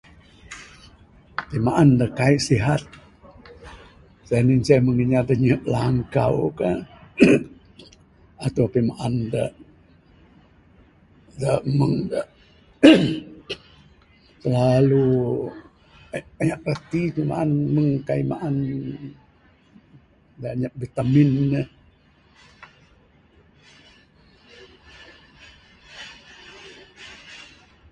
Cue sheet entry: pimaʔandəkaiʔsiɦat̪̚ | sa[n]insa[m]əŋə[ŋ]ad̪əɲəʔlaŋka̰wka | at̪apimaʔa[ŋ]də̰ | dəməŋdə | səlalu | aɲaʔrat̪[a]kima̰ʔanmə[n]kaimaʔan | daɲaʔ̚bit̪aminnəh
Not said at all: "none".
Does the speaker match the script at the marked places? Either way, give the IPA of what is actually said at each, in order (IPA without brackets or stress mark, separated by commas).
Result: n, m, ɲ, n, i, ŋ